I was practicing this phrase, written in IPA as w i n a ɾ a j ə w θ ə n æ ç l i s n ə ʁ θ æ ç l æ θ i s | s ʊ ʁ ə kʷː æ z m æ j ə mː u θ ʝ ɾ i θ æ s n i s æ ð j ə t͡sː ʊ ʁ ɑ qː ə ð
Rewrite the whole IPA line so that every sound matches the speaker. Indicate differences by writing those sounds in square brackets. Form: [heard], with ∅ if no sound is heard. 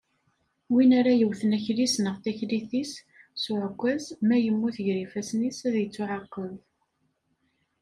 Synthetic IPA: w i n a ɾ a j ə w θ ə n æ ç l i s n ə ʁ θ æ ç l [i] θ i s | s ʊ [ʕ] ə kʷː æ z m æ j ə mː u θ ʝ ɾ i [f] æ s n i s æ ð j ə t͡sː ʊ [ʕ] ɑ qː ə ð